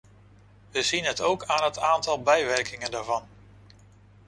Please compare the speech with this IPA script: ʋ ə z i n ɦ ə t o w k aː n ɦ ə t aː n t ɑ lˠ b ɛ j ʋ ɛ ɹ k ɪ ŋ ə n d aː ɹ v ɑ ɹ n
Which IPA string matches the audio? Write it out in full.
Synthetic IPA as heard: ʋ ə z i n ɦ ə t o w k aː n ɦ ə t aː n t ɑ lˠ b ɛ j ʋ ɛ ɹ k ɪ ŋ ə n d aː ɹ v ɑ n